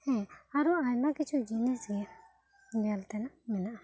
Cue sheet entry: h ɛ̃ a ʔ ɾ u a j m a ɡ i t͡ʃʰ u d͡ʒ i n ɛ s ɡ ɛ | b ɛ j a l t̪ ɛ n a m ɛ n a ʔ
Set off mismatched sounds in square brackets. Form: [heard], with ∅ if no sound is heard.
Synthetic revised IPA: h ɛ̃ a [∅] ɾ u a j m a [k] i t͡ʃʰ u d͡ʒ i n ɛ s ɡ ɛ | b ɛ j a l t̪ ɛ n a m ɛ n a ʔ

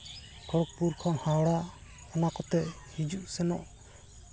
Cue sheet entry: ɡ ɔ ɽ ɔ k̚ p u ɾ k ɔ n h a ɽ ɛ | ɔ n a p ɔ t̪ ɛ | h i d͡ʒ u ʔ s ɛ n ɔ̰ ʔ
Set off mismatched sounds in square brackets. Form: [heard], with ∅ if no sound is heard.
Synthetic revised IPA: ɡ ɔ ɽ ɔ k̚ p u ɾ [kʰ] ɔ n h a ɽ [a] | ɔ n a [k] ɔ t̪ ɛ | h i d͡ʒ u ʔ s ɛ n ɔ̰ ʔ

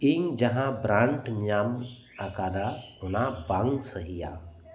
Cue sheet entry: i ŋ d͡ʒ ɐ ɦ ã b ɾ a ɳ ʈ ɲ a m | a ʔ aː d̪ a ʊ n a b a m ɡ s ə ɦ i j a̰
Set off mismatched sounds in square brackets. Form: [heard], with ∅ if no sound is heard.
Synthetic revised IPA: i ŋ d͡ʒ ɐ ɦ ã b ɾ a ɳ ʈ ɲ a m | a [k] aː d̪ a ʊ n a b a [ŋ] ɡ s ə ɦ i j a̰

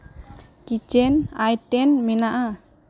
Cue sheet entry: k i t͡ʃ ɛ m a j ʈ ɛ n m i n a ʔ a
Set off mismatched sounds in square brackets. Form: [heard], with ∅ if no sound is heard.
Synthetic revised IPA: k i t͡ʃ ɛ [n] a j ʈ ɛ n m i n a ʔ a

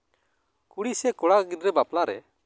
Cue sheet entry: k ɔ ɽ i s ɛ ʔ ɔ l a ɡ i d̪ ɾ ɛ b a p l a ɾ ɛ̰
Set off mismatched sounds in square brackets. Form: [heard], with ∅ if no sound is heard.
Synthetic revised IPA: k [u] ɽ i s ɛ [k] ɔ [ɽ] a ɡ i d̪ ɾ ɛ b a p l a ɾ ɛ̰

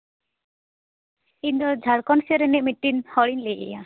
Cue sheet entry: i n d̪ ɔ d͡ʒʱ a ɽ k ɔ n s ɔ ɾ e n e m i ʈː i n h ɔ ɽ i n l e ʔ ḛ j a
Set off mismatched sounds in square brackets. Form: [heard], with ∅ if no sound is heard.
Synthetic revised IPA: i n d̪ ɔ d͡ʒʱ a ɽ k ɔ n s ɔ ɾ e n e m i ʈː i n h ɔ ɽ i n l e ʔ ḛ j a

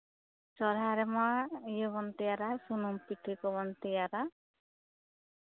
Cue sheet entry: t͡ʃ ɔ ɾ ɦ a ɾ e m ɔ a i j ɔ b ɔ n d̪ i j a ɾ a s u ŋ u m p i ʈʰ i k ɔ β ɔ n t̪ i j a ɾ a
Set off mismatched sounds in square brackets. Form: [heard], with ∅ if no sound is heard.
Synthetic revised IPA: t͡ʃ ɔ ɾ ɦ a ɾ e m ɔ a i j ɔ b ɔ n [t̪] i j a ɾ a s u [n] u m p i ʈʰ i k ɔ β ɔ n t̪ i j a ɾ a

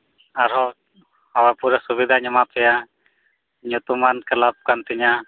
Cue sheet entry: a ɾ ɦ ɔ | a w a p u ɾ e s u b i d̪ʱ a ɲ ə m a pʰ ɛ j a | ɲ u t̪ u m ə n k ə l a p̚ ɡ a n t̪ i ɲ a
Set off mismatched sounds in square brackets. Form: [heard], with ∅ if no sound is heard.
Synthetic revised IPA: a ɾ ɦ ɔ | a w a p u ɾ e s u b i d̪ʱ a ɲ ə m a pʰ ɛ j a | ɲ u t̪ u m [a] n k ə l a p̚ [k] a n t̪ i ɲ a

